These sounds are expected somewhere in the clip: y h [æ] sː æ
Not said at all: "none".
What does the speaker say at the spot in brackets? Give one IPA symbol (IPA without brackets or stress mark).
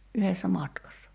e